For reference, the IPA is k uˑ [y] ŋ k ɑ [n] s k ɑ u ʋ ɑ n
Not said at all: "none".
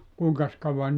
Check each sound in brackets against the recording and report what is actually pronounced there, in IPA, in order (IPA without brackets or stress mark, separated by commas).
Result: i, none